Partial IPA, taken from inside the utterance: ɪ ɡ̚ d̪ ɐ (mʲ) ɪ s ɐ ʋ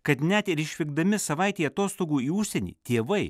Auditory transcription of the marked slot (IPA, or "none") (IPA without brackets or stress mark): mʲ